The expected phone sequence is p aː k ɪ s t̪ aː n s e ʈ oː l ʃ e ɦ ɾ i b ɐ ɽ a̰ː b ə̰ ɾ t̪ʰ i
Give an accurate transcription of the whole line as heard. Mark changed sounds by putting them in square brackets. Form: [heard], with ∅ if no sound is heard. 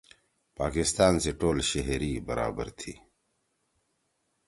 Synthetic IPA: p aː k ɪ s t̪ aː n s e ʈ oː l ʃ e ɦ ɾ i b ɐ [ɾ] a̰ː b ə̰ ɾ t̪ʰ i